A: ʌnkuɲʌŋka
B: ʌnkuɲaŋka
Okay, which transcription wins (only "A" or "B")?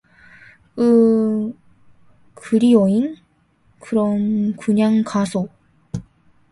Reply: B